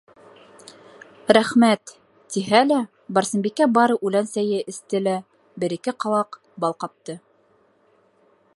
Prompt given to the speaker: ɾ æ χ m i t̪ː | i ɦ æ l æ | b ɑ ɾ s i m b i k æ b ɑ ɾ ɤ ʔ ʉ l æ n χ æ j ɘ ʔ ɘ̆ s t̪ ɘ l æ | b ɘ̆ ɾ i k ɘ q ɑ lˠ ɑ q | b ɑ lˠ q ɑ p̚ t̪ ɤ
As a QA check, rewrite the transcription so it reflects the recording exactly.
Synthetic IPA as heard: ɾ æ χ m æ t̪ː | i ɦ æ l æ | b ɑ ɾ s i m b i k æ b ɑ ɾ ɤ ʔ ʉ l æ n s æ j ɘ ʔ ɘ̆ s t̪ ɘ l æ | b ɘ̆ ɾ i k ɘ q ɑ lˠ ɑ q | b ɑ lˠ q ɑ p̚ t̪ ɤ